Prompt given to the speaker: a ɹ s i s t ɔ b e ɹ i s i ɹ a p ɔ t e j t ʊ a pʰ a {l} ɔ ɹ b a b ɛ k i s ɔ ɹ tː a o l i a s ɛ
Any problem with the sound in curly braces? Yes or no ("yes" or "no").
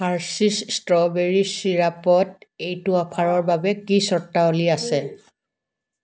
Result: yes